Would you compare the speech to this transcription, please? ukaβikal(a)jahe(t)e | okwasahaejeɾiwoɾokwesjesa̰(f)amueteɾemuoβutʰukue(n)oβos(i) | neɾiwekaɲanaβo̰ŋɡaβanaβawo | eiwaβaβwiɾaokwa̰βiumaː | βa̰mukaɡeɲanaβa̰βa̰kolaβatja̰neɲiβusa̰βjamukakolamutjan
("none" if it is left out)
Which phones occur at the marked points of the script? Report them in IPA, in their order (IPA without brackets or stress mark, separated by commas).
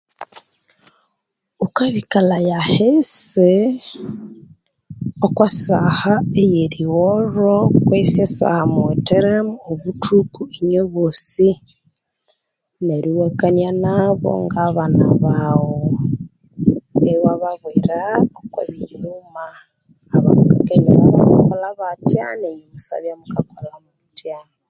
a, s, h, ɲ, i